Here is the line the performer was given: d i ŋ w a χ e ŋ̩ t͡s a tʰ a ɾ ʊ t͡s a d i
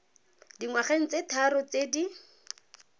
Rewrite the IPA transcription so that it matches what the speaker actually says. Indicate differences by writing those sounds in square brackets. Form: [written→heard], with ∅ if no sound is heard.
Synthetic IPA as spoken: d i ŋ w a χ e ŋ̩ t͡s [a→e] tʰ a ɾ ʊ t͡s [a→e] d i